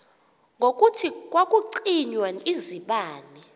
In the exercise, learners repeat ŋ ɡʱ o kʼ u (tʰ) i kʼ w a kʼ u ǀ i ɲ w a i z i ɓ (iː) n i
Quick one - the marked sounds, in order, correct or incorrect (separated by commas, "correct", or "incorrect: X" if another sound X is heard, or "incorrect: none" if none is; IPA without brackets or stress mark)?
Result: correct, incorrect: aː